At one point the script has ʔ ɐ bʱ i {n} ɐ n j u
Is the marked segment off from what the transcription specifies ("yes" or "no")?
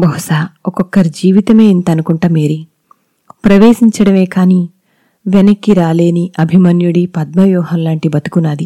yes